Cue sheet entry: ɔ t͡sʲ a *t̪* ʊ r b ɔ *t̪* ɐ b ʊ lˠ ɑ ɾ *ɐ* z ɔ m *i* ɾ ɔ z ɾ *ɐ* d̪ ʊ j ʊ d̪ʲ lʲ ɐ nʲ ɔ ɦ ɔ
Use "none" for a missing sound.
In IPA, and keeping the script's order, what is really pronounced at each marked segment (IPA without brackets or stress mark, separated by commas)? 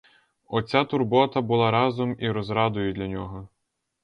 t̪, t̪, ɑ, i, ɑ